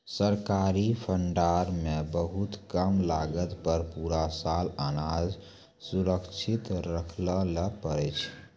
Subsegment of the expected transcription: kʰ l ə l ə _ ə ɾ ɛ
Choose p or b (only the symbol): p